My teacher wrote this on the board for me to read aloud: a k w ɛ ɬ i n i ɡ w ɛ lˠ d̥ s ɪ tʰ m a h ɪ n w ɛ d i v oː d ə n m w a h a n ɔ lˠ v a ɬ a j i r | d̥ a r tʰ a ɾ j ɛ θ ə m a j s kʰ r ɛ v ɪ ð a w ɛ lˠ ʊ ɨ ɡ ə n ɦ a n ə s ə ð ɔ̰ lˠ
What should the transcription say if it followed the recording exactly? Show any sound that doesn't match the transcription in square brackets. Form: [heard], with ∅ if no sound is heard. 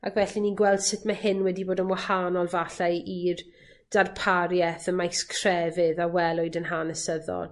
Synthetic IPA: a k [v] ɛ ɬ i n i ɡ w ɛ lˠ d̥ s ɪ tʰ m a h ɪ n w ɛ d i [b] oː d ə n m w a h a n ɔ lˠ v a ɬ a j i r | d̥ a r [pʰ] a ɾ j ɛ θ ə m a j s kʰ r ɛ v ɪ ð a w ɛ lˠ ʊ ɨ [d] ə n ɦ a n ə s ə ð ɔ̰ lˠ